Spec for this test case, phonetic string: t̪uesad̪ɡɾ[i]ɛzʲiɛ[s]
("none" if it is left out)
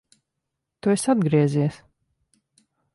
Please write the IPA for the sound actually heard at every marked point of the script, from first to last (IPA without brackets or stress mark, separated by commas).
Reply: i, s